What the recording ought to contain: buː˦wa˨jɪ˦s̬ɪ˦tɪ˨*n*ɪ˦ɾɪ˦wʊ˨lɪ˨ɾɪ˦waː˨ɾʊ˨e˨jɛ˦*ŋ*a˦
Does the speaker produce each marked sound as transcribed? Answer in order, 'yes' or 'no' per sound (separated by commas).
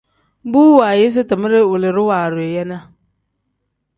no, no